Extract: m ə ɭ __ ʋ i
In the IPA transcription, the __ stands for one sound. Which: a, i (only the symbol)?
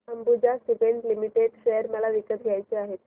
a